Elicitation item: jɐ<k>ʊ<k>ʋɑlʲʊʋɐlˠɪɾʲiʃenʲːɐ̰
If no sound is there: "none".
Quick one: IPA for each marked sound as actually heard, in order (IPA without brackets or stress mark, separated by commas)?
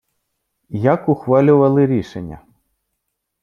k, x